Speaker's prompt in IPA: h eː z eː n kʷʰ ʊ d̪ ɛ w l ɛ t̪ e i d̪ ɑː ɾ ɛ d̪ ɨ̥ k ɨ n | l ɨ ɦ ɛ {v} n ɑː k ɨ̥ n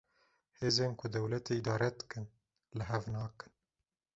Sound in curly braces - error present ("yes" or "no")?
no